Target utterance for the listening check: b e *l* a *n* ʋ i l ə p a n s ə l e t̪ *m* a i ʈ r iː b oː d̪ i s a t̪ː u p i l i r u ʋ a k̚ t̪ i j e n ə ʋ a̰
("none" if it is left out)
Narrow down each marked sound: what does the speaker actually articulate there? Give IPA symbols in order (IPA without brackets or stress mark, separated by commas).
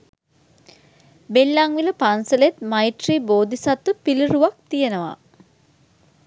lː, ŋ, m